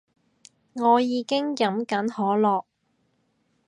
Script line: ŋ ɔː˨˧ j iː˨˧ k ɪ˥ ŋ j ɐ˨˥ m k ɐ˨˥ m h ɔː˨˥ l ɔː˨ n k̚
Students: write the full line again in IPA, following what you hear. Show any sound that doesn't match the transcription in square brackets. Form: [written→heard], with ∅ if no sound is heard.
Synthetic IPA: ŋ ɔː˨˧ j iː˨˧ k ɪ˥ ŋ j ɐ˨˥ m k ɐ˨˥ [m→n] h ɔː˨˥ l ɔː˨ [n→∅] k̚